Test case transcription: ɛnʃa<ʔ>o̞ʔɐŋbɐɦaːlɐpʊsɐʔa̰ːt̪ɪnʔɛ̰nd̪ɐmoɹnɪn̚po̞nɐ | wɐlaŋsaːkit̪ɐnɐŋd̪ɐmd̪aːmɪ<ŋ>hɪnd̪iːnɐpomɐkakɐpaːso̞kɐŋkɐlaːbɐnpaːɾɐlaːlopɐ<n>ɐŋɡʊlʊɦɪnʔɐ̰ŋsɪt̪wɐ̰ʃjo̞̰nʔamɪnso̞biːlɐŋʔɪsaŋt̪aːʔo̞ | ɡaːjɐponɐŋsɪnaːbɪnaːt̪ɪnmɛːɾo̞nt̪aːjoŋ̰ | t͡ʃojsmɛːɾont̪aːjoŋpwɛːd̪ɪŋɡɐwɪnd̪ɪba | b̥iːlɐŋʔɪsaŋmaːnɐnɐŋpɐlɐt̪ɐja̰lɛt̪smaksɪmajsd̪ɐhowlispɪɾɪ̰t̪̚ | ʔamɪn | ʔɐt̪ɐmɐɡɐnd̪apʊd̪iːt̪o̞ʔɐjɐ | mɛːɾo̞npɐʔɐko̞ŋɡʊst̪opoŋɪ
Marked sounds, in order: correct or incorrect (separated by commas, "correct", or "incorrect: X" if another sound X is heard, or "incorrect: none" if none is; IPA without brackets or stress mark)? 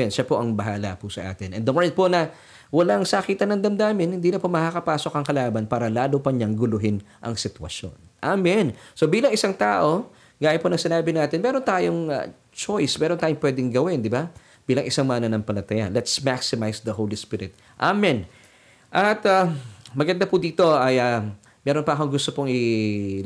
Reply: incorrect: p, incorrect: n, incorrect: ɲ